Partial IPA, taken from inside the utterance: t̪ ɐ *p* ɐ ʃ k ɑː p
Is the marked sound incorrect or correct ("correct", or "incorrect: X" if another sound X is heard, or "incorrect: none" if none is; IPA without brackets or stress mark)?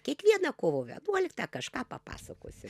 incorrect: k